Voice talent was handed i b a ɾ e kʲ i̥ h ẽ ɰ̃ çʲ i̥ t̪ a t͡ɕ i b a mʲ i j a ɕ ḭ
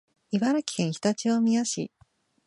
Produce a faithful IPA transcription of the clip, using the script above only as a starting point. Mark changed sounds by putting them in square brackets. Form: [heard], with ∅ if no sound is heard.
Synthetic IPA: i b a ɾ [a] kʲ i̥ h ẽ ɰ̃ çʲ i̥ t̪ a t͡ɕ i [β] a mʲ i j a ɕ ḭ